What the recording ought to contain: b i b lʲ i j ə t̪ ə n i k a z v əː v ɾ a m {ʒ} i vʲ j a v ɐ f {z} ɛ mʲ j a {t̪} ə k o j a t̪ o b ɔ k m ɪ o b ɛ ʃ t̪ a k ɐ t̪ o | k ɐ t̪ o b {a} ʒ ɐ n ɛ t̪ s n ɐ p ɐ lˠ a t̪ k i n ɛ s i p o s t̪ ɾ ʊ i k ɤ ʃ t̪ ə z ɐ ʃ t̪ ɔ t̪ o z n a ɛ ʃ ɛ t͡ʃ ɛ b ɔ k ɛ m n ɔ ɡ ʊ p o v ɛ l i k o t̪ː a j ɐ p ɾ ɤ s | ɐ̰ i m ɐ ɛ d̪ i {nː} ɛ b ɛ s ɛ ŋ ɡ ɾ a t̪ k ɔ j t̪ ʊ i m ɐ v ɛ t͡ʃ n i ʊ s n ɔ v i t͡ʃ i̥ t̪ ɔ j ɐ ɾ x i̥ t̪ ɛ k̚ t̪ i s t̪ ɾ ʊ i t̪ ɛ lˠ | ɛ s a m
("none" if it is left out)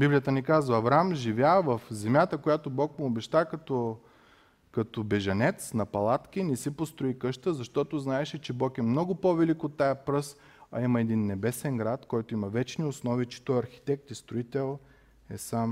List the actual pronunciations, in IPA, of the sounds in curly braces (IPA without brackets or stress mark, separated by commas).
ʒ, z, t̪, ɛ, nː